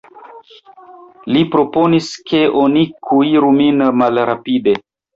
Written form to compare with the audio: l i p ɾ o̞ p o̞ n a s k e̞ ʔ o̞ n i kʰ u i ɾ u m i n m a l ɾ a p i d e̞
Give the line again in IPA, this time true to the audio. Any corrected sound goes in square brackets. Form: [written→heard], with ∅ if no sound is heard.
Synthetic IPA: l i p ɾ o̞ p o̞ n [a→i] s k e̞ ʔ o̞ n i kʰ u i ɾ u m i n m a l ɾ a p i d e̞